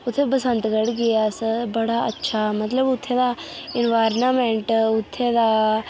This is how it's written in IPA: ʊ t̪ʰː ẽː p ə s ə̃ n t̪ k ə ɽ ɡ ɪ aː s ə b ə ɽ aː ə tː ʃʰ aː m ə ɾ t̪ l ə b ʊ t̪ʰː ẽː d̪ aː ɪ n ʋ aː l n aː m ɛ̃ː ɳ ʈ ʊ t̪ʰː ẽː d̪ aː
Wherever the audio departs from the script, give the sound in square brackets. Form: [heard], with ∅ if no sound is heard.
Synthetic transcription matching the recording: ʊ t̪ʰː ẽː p ə s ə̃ n t̪ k ə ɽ ɡ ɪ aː s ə b ə ɽ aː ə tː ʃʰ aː m ə [∅] t̪ l ə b ʊ t̪ʰː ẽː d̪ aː ɪ n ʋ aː [ɾ] n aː m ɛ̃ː ɳ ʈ ʊ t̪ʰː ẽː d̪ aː